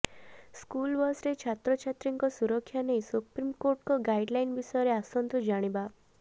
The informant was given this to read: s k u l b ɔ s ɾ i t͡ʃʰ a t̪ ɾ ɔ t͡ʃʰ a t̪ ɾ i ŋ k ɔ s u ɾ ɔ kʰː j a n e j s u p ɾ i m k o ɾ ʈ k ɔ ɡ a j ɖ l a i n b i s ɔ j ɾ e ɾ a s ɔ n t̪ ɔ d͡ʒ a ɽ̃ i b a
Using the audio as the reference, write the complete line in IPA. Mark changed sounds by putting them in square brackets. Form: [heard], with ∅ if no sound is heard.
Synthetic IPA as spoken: s k u l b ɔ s ɾ [e] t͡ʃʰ a t̪ ɾ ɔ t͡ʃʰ a t̪ ɾ i ŋ k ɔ s u ɾ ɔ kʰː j a n e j s u p ɾ i m k o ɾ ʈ k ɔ ɡ a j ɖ l a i n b i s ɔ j ɾ e [∅] a s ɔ n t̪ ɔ d͡ʒ a ɽ̃ i b a

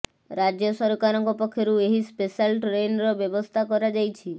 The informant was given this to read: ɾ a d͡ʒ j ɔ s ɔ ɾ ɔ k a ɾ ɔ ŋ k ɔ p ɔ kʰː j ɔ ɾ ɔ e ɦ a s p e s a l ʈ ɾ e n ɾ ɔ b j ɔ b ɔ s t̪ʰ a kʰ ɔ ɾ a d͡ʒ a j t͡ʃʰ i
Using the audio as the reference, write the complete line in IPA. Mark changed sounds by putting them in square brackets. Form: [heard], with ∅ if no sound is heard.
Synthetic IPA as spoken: ɾ a d͡ʒ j ɔ s ɔ ɾ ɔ k a ɾ ɔ ŋ k ɔ p ɔ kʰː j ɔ ɾ [u] e ɦ [i] s p e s a l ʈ ɾ e n ɾ ɔ b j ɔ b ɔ s t̪ʰ a [k] ɔ ɾ a d͡ʒ a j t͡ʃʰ i

